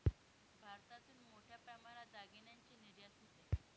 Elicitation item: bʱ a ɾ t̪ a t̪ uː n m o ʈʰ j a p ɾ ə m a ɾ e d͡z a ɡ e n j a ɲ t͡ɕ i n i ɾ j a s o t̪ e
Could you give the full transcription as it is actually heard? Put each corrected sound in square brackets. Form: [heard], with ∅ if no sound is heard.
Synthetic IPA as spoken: bʱ a ɾ t̪ a t̪ uː n m o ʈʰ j a p ɾ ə m a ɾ [a] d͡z a ɡ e n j a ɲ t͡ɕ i n i ɾ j a s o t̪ e